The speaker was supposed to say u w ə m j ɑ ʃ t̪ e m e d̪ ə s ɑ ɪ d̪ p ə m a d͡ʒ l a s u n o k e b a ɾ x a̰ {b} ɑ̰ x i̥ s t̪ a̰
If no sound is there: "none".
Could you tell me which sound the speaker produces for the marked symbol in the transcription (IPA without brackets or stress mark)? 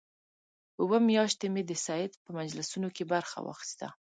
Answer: w